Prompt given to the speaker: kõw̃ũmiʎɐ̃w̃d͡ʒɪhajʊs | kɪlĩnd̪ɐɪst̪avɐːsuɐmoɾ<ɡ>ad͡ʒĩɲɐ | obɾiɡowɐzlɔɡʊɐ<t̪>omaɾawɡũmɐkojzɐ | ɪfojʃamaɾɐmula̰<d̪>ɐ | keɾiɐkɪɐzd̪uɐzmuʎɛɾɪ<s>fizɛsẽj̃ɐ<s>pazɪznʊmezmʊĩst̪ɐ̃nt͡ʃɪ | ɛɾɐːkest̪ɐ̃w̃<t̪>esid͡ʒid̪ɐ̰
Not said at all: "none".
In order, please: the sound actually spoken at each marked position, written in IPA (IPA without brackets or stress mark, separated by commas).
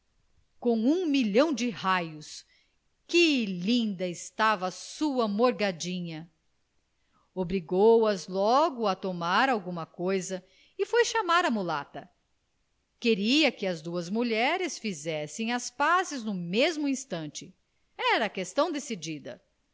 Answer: ɡ, t̪, t̪, s, s, d̪